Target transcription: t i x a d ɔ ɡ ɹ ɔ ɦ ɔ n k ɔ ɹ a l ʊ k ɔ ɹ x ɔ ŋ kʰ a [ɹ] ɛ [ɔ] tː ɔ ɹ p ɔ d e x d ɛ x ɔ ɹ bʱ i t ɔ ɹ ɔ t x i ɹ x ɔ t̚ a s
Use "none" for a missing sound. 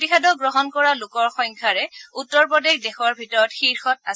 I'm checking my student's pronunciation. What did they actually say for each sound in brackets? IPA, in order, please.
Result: ɹ, u

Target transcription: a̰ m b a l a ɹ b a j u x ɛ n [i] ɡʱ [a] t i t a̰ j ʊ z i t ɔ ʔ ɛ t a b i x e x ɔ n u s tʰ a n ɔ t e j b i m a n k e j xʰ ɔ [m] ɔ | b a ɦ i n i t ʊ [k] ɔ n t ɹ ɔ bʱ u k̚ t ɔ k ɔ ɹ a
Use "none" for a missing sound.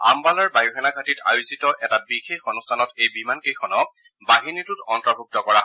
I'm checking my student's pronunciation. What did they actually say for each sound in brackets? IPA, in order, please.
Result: a, a, n, t

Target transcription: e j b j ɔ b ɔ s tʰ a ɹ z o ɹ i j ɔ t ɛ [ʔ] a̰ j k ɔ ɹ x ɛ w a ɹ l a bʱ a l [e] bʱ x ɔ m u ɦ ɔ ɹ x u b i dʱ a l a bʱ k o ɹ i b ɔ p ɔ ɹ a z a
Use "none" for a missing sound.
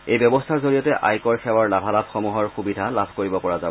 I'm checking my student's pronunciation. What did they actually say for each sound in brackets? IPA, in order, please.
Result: ʔ, a

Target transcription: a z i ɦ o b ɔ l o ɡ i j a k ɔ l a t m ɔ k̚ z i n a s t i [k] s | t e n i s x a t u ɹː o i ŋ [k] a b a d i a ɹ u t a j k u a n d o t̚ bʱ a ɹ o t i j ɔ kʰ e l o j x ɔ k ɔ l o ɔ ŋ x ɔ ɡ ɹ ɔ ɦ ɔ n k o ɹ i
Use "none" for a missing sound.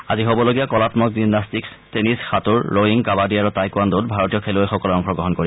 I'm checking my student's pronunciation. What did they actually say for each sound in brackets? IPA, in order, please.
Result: k, k

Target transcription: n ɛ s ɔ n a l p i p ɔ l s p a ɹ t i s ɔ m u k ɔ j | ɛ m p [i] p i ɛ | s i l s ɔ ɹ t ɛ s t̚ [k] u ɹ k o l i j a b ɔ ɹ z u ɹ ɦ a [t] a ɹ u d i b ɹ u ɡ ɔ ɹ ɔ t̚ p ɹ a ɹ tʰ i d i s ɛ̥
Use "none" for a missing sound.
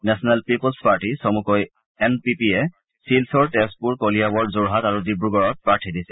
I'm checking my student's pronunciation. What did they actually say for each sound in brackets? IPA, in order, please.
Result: i, p, t

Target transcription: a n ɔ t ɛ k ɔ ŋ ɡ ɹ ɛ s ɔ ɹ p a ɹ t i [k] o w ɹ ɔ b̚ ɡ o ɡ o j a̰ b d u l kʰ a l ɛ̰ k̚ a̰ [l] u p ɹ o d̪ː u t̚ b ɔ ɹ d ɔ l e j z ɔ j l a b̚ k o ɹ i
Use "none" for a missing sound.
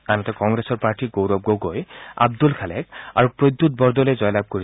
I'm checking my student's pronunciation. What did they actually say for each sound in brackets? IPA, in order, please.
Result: ɡ, ɹ

